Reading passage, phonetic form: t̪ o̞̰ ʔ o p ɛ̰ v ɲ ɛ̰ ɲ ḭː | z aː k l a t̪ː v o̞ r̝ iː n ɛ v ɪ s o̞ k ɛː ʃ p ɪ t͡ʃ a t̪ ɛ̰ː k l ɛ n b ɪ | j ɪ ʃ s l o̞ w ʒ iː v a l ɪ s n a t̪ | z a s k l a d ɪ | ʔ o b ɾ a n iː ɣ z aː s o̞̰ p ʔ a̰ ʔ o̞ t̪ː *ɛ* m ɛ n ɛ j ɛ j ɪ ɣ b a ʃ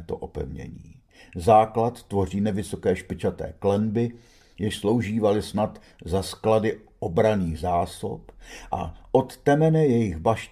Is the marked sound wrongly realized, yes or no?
no